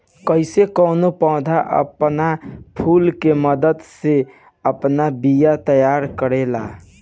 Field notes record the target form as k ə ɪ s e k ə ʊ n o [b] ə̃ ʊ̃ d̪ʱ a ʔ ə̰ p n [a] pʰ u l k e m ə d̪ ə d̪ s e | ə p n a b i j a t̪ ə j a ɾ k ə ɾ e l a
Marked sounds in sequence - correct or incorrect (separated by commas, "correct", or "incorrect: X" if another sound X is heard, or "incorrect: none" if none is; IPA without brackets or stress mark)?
incorrect: p, correct